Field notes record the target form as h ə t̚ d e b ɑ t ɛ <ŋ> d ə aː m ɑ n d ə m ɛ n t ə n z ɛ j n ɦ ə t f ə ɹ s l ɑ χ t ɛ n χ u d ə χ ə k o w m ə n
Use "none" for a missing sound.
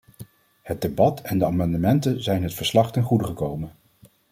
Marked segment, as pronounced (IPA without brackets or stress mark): n